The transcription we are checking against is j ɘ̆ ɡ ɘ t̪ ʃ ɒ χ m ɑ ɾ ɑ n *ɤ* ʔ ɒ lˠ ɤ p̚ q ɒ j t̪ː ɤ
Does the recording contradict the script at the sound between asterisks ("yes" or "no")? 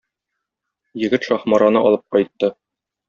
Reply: no